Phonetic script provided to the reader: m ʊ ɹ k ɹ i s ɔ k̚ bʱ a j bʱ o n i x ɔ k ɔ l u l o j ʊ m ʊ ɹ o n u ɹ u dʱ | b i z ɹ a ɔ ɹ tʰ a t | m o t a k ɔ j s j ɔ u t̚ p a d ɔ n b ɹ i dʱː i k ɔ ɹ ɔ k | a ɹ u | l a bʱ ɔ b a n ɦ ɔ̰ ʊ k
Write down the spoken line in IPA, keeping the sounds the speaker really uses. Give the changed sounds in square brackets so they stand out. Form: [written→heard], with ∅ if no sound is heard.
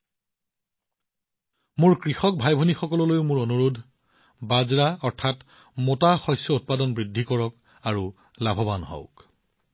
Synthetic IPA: m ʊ ɹ k ɹ i [s→x] ɔ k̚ bʱ a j bʱ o n i x ɔ k ɔ l [u→ɔ] l o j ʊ m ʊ ɹ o n u ɹ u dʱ | b [i→a] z ɹ a ɔ ɹ tʰ a t | m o t a [k→x] ɔ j s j ɔ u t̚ p a d ɔ n b ɹ i dʱː i k ɔ ɹ ɔ k | a ɹ u | l a bʱ ɔ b a n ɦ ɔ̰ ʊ k